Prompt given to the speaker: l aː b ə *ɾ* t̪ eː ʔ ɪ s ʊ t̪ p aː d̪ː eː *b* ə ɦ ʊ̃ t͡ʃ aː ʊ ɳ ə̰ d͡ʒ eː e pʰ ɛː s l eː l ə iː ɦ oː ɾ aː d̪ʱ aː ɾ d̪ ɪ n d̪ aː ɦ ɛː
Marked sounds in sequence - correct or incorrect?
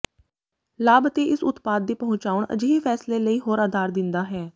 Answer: incorrect, incorrect

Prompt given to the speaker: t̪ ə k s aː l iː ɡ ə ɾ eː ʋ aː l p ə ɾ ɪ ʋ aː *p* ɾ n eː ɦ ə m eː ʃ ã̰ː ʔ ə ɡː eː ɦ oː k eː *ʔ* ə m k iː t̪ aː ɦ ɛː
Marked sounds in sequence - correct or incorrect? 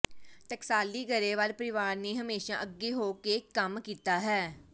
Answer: incorrect, incorrect

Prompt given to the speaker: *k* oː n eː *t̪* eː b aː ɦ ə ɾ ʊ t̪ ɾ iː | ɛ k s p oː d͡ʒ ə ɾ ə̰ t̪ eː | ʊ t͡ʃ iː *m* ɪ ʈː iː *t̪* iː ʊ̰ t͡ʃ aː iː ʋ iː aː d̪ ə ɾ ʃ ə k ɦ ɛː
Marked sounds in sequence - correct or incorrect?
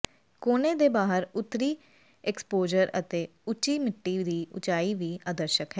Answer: correct, incorrect, correct, incorrect

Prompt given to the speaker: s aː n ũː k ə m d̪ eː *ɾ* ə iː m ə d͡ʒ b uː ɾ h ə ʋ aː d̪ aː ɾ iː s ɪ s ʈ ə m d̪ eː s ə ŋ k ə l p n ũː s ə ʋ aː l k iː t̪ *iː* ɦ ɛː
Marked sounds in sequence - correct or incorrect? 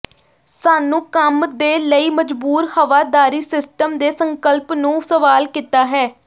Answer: incorrect, incorrect

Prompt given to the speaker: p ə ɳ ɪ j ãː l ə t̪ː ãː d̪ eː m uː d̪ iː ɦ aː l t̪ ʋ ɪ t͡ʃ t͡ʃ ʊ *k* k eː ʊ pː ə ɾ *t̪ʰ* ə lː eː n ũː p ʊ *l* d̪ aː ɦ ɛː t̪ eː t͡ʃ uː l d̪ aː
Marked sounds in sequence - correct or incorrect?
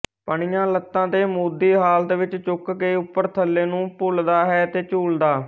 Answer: correct, correct, correct

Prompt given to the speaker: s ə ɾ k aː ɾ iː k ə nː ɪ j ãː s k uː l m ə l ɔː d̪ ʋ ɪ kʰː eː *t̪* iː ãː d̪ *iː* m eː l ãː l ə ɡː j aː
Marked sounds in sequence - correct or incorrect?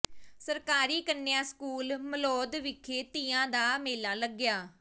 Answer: correct, incorrect

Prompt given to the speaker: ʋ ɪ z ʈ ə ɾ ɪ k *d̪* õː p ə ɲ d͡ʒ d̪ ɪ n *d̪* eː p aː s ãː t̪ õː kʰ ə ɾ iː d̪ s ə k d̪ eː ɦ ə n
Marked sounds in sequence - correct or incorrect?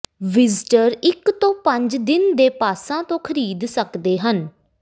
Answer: incorrect, correct

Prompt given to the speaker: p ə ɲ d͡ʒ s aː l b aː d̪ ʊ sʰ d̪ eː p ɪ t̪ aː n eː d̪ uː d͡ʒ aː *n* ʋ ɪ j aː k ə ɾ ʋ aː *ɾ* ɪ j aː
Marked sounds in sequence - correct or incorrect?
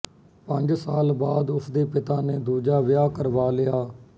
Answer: incorrect, incorrect

